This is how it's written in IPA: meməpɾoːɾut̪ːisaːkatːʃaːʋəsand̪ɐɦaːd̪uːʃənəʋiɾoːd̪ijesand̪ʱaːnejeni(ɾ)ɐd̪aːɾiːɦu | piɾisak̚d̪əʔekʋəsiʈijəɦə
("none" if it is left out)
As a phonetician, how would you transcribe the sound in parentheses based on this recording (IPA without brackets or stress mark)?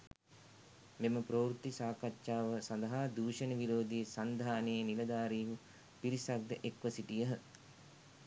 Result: l